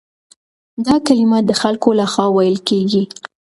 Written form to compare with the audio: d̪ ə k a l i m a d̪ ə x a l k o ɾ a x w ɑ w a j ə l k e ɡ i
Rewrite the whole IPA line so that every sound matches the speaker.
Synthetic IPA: d̪ ɑ k a l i m a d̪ ə x a l k o l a x w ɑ w a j ə l k e ɡ i